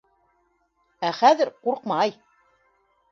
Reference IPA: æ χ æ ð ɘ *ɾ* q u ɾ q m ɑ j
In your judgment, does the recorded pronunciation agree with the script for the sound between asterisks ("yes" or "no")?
yes